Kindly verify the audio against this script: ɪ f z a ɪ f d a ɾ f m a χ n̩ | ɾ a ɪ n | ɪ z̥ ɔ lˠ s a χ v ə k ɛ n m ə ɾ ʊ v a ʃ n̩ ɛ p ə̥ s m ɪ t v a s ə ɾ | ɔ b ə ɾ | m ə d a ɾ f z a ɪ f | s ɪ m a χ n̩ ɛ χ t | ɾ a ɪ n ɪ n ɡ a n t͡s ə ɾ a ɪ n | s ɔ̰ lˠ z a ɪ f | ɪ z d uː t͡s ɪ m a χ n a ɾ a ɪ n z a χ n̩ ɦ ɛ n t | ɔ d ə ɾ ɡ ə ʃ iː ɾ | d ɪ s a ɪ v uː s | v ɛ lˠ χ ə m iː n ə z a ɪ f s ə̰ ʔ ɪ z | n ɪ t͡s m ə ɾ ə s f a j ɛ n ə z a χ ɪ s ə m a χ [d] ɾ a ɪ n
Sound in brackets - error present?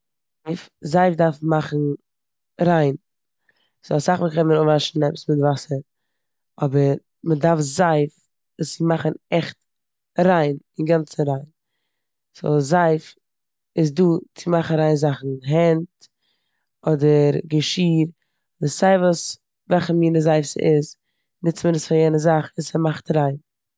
yes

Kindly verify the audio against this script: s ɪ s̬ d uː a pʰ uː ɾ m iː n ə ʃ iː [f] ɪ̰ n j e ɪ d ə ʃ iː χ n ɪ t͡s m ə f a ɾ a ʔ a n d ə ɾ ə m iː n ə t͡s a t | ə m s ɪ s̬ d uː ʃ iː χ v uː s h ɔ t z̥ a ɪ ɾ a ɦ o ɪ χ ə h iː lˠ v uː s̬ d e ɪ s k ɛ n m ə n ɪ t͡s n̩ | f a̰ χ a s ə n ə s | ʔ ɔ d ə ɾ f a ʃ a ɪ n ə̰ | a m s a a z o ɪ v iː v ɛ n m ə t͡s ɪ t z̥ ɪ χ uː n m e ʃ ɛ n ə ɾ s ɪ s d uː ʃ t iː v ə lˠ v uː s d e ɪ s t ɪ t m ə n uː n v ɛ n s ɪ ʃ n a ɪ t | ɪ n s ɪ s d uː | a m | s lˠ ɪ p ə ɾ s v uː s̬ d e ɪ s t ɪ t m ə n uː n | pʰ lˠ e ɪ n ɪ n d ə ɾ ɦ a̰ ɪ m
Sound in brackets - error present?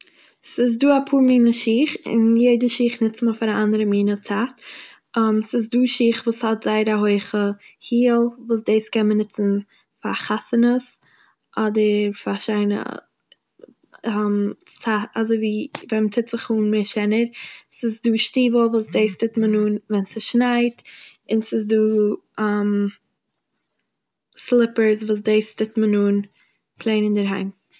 yes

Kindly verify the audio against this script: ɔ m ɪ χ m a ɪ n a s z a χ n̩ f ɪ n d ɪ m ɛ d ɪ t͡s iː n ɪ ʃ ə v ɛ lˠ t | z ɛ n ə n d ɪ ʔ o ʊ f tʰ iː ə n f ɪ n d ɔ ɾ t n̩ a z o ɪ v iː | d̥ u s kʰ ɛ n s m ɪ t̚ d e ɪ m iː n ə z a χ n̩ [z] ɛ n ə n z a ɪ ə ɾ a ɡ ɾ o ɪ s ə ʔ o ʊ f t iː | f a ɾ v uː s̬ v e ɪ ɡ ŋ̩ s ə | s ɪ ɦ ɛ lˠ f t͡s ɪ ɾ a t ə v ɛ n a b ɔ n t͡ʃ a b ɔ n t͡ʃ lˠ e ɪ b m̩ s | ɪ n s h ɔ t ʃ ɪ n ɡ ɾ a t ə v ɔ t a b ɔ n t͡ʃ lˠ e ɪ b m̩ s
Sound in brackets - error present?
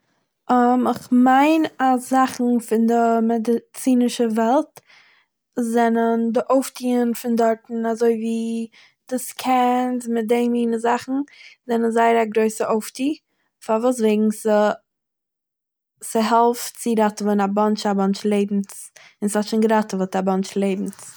no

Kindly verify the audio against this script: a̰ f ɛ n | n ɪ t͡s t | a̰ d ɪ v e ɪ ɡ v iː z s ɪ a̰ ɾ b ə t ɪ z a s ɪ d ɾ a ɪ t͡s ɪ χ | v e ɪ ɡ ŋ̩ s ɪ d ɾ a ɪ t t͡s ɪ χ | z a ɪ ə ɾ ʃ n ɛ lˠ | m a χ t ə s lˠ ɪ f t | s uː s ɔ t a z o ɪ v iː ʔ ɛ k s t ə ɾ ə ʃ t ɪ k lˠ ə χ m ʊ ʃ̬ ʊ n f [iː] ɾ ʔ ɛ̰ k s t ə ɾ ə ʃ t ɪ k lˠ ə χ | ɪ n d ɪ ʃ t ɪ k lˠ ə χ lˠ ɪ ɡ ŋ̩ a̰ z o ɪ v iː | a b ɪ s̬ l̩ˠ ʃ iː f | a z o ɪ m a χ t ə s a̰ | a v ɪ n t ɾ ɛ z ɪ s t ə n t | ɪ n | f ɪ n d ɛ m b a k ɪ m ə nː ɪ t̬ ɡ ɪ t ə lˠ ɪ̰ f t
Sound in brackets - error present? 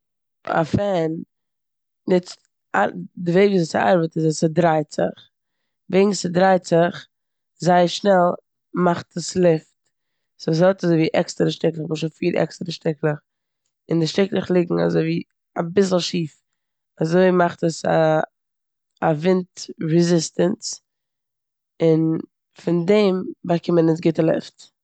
no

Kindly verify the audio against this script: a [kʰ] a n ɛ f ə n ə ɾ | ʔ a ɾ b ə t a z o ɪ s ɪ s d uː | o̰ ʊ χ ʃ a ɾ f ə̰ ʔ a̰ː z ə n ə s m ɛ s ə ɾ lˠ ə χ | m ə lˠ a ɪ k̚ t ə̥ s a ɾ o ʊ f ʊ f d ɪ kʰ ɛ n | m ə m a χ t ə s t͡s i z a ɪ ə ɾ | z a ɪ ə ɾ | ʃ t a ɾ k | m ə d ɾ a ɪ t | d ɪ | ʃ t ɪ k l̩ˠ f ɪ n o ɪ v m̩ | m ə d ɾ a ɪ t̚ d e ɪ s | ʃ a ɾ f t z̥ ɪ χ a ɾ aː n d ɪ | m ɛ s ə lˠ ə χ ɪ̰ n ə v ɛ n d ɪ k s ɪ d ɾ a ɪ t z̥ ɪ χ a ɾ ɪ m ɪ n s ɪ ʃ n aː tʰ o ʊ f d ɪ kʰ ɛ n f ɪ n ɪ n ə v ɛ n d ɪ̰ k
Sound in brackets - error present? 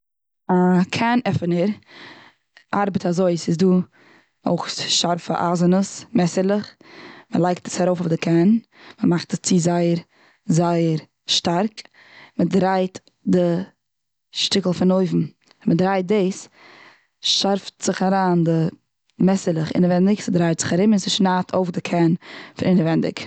no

